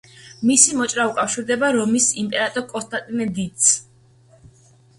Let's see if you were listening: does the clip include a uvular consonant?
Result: no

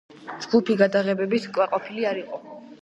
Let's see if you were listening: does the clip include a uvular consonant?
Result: yes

